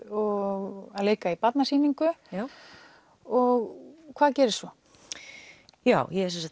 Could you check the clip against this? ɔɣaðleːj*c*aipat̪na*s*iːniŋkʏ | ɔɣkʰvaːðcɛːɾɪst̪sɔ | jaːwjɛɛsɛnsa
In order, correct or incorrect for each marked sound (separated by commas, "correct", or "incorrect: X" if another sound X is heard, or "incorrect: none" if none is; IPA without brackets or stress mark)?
incorrect: k, correct